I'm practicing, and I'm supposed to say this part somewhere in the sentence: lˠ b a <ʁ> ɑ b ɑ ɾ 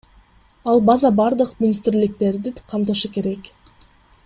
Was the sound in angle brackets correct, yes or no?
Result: no